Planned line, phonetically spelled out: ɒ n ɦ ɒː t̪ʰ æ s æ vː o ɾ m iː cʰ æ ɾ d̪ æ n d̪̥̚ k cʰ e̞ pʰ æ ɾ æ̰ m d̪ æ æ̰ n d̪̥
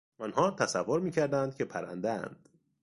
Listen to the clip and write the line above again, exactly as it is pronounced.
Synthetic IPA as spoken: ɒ n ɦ ɒː t̪ʰ æ s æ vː o ɾ m iː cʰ æ ɾ d̪ æ n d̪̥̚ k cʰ e̞ pʰ æ ɾ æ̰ n d̪ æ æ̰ n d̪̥